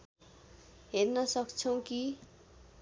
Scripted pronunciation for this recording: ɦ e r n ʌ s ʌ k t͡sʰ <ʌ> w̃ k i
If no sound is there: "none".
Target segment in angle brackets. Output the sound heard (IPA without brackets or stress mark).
ʌ